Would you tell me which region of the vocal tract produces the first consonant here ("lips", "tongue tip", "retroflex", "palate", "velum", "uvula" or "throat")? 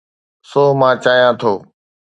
tongue tip